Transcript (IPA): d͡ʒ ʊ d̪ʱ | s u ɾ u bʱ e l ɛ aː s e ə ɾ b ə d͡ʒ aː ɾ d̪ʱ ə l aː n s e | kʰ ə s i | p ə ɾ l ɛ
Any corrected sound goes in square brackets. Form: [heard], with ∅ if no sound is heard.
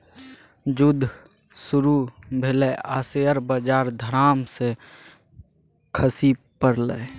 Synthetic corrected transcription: d͡ʒ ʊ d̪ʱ | s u ɾ u bʱ e l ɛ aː s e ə ɾ b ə d͡ʒ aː ɾ d̪ʱ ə [ɾ] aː [m] s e | kʰ ə s i | p ə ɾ l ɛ